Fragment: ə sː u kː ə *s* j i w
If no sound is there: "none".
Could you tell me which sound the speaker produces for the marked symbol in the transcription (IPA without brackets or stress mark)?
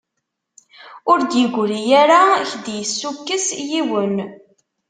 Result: s